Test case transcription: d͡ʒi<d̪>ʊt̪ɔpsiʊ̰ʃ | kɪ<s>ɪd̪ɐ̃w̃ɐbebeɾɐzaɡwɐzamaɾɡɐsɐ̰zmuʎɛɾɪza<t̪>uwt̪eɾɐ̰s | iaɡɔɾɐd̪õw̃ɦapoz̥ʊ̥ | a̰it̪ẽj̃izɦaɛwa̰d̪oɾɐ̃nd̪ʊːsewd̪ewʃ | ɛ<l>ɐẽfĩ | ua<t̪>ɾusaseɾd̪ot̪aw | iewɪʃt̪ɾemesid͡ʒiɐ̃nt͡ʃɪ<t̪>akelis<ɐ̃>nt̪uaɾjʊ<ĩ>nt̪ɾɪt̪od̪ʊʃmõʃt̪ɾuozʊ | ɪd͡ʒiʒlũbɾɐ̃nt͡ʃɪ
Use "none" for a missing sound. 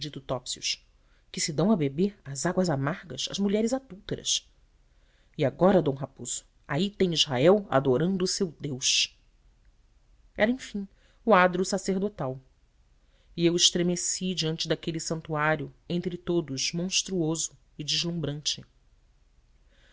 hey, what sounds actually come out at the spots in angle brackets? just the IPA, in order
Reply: t̪, s, d̪, ɾ, d̪, d̪, ɐ̃, ẽ

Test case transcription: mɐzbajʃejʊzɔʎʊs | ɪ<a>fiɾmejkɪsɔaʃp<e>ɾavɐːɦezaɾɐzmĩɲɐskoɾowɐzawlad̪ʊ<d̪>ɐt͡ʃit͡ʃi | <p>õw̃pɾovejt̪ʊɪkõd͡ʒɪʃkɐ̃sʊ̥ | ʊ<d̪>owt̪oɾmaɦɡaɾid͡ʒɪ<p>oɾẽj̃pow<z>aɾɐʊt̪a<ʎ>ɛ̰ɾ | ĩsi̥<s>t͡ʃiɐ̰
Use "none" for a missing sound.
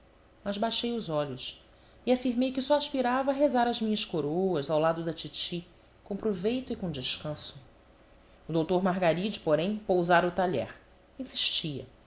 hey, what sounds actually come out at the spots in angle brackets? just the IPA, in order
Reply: a, i, d̪, k, d̪, p, z, ʎ, ʃ

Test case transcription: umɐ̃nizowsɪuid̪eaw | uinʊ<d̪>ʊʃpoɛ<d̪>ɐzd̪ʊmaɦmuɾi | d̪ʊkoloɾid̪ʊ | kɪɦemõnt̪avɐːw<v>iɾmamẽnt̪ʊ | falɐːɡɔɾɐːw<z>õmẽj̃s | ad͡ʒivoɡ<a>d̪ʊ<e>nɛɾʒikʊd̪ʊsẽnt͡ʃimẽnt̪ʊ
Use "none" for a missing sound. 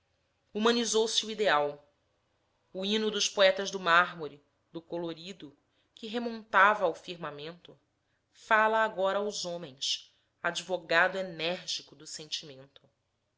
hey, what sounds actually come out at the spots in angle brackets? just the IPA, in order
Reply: d̪, t̪, f, z, a, e

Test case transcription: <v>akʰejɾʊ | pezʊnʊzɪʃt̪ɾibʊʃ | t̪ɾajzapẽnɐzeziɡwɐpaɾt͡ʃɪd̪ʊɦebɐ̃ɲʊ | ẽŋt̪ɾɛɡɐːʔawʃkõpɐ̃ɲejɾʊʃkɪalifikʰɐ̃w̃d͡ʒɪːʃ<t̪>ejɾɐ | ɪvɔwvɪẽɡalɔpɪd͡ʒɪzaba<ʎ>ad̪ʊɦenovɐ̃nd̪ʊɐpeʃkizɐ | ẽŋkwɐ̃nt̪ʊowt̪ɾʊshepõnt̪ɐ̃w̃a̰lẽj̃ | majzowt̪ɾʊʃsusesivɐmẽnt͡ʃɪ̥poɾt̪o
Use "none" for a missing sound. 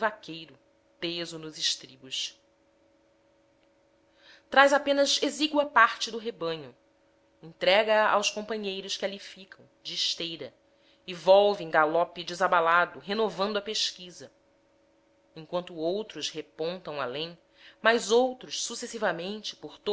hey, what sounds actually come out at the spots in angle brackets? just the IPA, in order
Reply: v, t̪, l

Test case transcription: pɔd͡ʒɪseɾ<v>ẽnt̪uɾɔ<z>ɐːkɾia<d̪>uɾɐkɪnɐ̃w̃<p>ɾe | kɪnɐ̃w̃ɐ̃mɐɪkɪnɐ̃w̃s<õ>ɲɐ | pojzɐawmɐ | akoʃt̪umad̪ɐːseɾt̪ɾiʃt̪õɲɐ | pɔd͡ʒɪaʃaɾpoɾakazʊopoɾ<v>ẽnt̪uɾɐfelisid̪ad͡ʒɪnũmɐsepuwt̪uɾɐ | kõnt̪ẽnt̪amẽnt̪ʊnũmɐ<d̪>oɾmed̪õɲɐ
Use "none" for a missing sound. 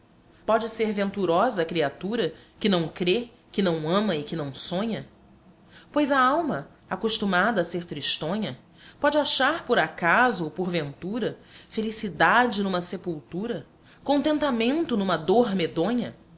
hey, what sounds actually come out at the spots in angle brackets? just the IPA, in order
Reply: v, z, t̪, k, õ, v, d̪

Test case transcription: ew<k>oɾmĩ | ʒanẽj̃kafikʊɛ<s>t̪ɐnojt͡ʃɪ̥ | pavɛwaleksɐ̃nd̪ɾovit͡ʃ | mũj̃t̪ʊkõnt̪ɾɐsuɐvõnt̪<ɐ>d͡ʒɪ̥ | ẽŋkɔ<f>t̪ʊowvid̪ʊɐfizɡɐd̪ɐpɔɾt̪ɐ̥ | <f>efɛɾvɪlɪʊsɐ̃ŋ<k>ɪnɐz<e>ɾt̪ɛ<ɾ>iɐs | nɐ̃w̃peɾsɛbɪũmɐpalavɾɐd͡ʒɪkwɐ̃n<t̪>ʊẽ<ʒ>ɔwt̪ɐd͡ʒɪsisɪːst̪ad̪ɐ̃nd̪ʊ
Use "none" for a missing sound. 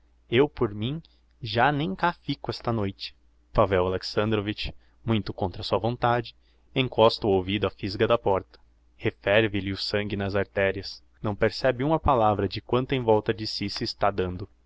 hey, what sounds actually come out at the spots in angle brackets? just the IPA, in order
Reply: p, s, a, s, h, ɡ, a, ɾ, t̪, v

